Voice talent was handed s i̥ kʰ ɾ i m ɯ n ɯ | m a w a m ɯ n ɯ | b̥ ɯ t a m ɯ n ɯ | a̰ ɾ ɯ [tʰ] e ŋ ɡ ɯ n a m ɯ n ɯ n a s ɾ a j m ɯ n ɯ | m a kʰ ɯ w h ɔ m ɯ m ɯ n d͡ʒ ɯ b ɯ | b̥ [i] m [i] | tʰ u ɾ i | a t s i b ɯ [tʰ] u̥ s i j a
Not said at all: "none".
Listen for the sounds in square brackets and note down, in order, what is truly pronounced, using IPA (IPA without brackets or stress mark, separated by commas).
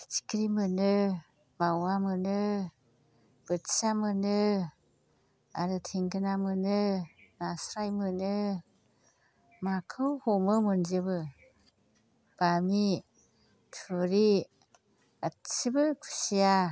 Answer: tʰ, a, i, kʰ